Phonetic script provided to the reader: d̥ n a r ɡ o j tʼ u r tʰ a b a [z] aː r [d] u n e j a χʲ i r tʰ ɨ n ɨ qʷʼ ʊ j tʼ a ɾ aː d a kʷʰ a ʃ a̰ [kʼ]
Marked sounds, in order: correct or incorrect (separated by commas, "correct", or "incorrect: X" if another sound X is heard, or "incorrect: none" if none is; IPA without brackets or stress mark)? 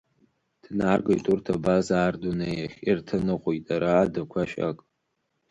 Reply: correct, correct, correct